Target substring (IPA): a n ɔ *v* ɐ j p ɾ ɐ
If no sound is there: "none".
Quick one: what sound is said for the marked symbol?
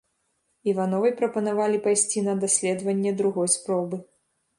v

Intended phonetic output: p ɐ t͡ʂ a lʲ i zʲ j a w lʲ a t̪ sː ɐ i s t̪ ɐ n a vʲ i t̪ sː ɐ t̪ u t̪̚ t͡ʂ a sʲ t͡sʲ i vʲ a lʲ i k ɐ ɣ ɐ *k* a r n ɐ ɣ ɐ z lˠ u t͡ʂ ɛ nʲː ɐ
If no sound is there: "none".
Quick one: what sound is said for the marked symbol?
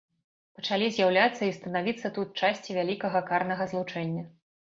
k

